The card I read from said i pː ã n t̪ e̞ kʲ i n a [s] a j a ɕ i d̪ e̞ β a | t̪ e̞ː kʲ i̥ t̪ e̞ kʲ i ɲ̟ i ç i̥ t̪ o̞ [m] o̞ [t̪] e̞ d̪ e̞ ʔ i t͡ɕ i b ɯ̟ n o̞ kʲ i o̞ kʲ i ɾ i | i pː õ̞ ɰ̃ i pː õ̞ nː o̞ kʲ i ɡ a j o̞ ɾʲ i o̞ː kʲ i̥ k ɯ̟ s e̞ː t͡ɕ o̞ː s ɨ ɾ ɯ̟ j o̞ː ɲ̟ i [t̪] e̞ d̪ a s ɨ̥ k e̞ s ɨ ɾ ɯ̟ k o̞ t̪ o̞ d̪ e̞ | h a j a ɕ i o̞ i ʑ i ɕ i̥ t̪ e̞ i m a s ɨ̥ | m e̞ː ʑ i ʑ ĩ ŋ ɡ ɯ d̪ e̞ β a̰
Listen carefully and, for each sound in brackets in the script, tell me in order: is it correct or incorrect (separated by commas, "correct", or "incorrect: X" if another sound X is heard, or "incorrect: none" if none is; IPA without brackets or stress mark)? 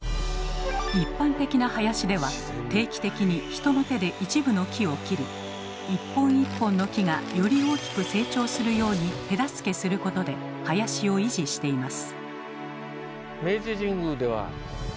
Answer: incorrect: h, incorrect: n, correct, correct